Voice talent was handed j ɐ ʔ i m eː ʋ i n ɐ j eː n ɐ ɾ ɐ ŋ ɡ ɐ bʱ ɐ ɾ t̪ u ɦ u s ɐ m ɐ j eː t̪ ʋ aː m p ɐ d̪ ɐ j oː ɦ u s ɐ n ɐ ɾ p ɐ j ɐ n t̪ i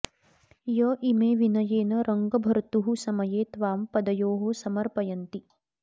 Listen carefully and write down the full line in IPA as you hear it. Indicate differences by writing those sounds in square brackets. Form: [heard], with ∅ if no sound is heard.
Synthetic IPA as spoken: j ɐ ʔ i m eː ʋ i n ɐ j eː n ɐ ɾ ɐ ŋ ɡ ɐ bʱ ɐ ɾ t̪ u ɦ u s ɐ m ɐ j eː t̪ ʋ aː m p ɐ d̪ ɐ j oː ɦ [o] s ɐ [m] ɐ ɾ p ɐ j ɐ n t̪ i

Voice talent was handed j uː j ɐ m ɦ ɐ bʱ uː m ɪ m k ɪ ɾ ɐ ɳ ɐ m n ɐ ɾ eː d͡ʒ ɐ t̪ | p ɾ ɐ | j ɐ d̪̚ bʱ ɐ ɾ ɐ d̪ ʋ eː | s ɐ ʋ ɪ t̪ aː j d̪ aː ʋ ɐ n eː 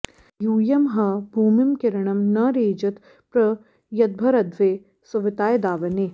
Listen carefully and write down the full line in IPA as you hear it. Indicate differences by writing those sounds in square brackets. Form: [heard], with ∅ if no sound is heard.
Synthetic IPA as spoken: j uː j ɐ m ɦ ɐ bʱ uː m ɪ m k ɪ ɾ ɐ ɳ ɐ m n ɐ ɾ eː d͡ʒ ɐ t̪ | p ɾ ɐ | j ɐ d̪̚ bʱ ɐ ɾ ɐ d̪ ʋ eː | s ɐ ʋ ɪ t̪ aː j d̪ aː ʋ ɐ n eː

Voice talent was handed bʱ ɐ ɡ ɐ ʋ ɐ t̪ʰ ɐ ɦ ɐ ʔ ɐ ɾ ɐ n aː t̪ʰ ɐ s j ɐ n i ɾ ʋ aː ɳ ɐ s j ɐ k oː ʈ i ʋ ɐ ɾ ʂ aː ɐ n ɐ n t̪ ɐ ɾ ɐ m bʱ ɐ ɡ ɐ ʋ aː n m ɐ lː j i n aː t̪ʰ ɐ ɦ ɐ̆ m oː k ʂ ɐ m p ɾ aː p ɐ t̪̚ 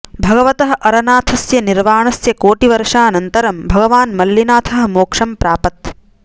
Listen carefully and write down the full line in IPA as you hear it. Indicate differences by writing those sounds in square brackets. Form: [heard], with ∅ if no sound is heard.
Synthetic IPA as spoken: bʱ ɐ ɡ ɐ ʋ ɐ [t̪] ɐ ɦ ɐ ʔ ɐ ɾ ɐ n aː t̪ʰ ɐ s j ɐ n i ɾ ʋ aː ɳ ɐ s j ɐ k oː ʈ i ʋ ɐ ɾ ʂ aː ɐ n ɐ n t̪ ɐ ɾ ɐ m bʱ ɐ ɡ ɐ ʋ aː n m ɐ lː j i n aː t̪ʰ ɐ ɦ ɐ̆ m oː k ʂ ɐ m p ɾ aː p ɐ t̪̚

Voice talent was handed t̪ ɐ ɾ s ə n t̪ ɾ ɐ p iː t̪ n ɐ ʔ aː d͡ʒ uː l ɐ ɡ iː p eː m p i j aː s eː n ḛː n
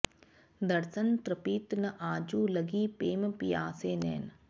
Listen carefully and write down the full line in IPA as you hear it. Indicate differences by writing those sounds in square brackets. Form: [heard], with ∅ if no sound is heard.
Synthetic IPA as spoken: [d̪] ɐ ɾ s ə n t̪ ɾ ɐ p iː t̪ n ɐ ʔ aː d͡ʒ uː l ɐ ɡ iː p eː m p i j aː s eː n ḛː n

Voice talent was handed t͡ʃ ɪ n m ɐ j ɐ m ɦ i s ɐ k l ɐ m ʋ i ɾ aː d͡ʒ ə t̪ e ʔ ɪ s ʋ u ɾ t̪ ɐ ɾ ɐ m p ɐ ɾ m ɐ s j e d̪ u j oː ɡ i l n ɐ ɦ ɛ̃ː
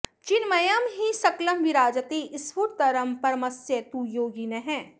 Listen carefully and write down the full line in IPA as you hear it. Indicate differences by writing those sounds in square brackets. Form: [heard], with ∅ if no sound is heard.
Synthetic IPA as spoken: t͡ʃ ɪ n m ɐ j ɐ m ɦ i s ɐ k l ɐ m ʋ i ɾ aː d͡ʒ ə t̪ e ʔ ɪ s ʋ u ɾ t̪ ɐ ɾ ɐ m p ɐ ɾ m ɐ s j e [t̪] u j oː ɡ i [∅] n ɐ ɦ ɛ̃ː

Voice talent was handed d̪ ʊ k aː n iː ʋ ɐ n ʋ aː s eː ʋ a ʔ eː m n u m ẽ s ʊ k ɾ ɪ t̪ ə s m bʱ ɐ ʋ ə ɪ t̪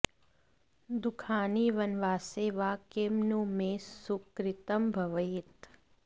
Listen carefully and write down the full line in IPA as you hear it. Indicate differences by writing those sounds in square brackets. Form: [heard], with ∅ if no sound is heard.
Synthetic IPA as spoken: d̪ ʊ [kʰ] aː n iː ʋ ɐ n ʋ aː s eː ʋ a [k] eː m n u m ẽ s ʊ k ɾ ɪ t̪ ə [∅] m bʱ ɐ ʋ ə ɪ t̪

